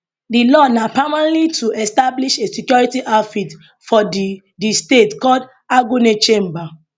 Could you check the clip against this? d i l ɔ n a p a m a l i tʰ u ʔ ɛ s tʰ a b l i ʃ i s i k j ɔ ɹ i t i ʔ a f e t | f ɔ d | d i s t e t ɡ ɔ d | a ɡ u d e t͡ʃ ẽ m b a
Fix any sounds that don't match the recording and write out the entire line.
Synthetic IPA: d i l ɔ n a p a m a l i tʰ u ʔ ɛ s t a b l i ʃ e s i k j ɔ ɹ i t i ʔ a f i t | f ɔ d | d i s t e t k ɔ d | a ɡ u n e t͡ʃ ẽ m b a